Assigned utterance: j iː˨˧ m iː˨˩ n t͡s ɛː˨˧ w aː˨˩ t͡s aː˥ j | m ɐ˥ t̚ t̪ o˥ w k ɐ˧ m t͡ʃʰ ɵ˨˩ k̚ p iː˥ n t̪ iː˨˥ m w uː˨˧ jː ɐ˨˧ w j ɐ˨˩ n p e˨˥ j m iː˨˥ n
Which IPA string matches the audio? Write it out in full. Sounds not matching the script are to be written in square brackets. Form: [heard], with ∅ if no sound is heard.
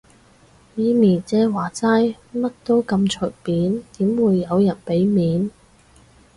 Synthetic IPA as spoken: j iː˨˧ m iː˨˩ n t͡s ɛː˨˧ w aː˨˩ t͡s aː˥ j | m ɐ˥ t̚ t̪ o˥ w k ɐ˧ m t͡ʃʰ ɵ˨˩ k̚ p [iː˨˥] n t̪ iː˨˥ m w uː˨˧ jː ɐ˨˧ w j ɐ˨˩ n p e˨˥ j m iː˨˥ n